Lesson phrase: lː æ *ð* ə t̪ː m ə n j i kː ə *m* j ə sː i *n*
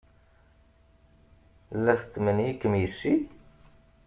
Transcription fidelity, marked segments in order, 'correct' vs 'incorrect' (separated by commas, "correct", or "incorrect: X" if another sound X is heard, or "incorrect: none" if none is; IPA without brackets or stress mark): incorrect: θ, correct, incorrect: none